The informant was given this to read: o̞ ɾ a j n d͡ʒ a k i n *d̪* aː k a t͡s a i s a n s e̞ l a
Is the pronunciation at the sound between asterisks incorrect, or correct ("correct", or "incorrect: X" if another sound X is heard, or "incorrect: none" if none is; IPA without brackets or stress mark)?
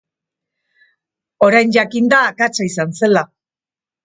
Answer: correct